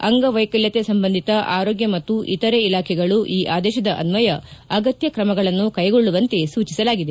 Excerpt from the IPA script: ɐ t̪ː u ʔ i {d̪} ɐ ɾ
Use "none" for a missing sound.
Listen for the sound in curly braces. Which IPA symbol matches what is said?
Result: t̪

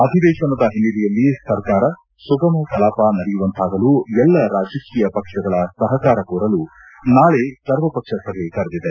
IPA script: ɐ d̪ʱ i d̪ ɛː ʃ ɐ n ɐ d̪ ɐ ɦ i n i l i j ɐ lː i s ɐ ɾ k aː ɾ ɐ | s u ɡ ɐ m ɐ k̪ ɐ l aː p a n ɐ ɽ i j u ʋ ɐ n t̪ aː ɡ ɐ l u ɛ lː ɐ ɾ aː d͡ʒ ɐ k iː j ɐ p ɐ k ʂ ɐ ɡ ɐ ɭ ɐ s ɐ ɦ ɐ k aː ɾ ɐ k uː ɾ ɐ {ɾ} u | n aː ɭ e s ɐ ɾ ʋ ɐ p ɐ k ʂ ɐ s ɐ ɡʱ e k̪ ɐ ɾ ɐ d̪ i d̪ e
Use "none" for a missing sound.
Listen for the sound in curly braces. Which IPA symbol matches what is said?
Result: l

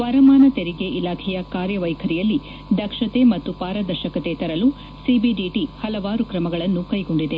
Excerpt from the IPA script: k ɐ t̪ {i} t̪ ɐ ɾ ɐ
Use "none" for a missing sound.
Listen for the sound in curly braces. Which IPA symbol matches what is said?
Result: e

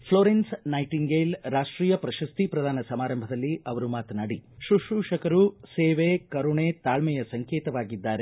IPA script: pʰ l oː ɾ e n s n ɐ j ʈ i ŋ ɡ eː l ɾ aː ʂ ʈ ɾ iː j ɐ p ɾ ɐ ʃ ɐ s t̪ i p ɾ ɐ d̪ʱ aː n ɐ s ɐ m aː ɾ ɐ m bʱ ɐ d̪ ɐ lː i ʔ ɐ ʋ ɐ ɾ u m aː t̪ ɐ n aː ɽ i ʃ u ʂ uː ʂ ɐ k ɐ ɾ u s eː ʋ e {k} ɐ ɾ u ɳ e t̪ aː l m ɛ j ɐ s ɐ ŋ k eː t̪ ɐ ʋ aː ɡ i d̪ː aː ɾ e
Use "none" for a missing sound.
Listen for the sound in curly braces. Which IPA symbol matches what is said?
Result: k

